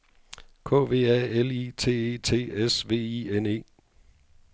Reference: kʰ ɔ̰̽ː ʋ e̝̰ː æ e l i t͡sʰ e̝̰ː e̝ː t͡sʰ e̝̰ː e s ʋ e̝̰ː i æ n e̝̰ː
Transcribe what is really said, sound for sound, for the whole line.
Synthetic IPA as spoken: kʰ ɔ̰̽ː ʋ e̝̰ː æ e l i t͡sʰ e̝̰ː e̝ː t͡sʰ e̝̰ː e s ʋ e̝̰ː i e n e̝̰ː